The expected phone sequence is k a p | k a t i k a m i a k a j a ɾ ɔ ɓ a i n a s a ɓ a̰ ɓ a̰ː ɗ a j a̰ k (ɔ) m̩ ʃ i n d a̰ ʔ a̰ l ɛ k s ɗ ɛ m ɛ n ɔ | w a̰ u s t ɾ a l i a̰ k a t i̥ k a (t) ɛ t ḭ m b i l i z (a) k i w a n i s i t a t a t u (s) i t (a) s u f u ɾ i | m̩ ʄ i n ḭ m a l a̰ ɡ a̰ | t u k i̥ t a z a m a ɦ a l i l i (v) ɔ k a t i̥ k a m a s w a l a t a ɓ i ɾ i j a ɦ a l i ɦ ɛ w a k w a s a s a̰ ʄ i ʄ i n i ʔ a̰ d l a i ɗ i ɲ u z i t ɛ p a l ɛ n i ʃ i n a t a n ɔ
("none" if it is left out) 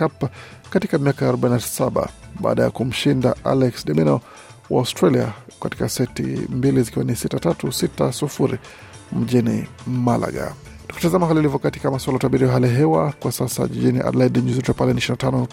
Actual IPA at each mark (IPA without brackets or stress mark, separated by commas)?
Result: u, s, i, s, a, v